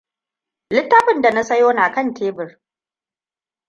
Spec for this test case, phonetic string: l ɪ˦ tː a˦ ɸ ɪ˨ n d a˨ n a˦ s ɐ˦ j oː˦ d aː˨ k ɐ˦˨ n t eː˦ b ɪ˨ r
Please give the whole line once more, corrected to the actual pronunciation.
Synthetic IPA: l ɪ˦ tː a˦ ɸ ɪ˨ n d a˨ n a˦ s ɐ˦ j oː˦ n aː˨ k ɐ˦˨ n t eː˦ b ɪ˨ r